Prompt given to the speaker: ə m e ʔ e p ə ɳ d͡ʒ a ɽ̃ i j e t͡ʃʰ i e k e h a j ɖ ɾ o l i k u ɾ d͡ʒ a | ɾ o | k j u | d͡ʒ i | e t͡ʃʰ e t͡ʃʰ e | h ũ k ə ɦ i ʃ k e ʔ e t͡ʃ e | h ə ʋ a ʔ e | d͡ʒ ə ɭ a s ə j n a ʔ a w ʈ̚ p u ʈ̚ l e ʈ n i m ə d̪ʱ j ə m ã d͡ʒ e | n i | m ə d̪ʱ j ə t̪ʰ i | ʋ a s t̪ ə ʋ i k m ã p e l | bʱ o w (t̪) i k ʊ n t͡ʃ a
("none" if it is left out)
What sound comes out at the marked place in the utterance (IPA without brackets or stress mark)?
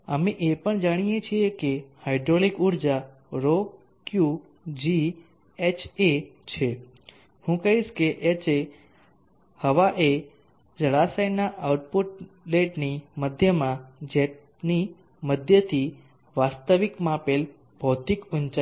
t̪